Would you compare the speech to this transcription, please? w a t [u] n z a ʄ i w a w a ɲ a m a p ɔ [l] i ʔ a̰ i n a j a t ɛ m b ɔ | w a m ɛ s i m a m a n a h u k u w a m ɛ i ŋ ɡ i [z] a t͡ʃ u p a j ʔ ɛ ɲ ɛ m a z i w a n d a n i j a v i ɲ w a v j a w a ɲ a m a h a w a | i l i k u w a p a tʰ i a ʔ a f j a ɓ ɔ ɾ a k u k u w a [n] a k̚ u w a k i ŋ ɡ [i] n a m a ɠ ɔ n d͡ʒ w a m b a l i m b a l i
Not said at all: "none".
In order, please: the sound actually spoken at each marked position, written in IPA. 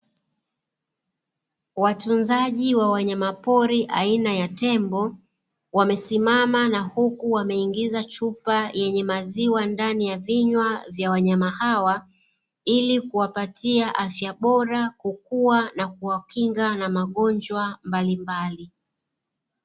u, ɾ, z, n, a

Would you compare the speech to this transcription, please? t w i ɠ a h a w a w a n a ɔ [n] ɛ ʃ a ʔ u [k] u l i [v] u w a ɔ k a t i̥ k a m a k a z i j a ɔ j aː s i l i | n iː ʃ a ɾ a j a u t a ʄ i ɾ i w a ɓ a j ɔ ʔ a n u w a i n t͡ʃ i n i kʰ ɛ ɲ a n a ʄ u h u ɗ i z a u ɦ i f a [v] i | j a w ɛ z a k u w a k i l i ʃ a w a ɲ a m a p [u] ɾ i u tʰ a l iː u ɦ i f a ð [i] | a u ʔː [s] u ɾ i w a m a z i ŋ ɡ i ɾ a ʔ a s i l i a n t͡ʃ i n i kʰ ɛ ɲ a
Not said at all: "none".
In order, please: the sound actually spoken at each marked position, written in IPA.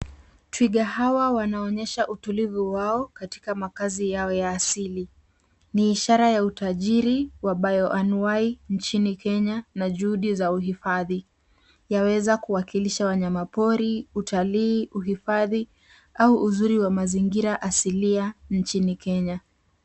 ɲ, t, v, ð, ɔ, i, z

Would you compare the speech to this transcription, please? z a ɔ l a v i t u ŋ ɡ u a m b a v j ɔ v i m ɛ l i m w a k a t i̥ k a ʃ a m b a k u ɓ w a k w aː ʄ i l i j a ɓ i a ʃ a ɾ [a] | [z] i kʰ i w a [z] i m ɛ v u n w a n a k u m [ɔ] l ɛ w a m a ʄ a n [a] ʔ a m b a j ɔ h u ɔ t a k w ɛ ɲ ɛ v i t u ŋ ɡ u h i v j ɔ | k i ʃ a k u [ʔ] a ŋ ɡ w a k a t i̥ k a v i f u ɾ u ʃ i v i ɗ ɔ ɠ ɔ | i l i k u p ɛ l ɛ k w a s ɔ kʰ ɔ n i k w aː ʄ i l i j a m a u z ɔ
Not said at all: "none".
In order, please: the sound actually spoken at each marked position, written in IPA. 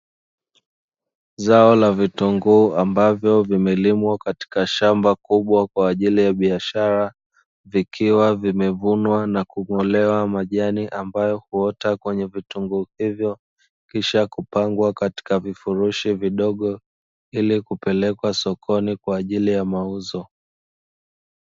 a, v, v, ɔ, i, p

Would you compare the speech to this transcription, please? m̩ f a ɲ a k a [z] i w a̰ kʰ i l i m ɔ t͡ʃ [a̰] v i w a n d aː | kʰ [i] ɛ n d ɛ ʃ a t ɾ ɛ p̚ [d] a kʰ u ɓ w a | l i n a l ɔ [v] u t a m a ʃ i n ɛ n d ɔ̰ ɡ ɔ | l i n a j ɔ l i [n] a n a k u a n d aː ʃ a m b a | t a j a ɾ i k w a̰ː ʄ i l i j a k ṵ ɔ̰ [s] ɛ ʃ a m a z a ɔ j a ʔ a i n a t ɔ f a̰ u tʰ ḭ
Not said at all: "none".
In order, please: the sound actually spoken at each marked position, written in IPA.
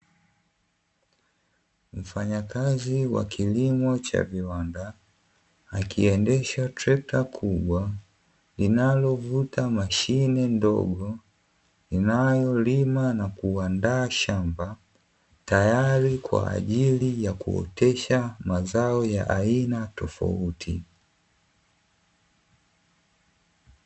z, a̰, i, t, v, m, t

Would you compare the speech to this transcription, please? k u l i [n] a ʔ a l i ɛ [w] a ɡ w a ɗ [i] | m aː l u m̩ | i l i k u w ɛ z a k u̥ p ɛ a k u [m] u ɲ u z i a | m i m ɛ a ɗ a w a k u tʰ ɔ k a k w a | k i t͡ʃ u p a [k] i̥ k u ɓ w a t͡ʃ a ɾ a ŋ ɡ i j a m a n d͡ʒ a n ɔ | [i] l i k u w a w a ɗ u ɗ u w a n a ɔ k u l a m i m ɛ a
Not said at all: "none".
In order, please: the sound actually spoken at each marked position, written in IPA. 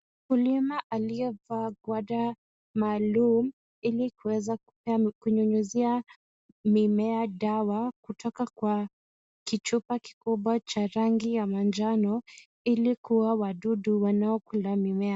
m, v, a, ɲ, k, i

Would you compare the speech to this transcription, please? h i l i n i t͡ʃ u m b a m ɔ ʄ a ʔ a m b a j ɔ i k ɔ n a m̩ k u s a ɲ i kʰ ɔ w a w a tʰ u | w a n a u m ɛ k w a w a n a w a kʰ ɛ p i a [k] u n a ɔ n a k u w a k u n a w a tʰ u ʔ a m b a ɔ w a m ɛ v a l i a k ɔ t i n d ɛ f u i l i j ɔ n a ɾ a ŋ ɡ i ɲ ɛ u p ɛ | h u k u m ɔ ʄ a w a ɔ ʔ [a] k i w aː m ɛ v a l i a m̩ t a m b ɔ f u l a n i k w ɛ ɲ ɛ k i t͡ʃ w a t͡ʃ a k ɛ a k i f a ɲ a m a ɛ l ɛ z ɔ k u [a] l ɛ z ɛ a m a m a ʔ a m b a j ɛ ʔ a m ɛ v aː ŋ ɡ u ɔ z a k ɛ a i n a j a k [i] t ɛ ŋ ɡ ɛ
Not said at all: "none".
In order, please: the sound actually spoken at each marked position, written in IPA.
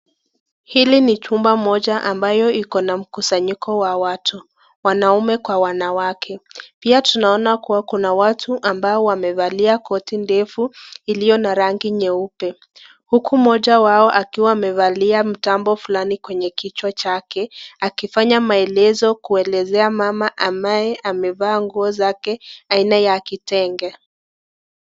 t, a, ɛ, i

